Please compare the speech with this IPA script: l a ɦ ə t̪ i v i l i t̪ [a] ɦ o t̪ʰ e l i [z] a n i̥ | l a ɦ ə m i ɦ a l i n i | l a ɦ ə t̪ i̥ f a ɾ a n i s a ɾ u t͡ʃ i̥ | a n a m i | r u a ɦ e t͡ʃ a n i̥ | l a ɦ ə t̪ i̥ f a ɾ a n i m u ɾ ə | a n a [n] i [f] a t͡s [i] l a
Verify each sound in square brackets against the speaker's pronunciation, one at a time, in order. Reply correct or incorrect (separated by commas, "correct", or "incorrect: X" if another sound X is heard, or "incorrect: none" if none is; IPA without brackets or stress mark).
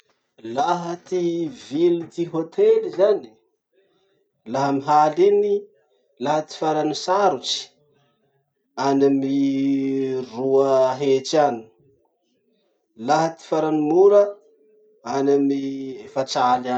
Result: incorrect: i, correct, incorrect: m, correct, incorrect: a